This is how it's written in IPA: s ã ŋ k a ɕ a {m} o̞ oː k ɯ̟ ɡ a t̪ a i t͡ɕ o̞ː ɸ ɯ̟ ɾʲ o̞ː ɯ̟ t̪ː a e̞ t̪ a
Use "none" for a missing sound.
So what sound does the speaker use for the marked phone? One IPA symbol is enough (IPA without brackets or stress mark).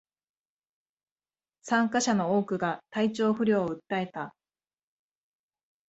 n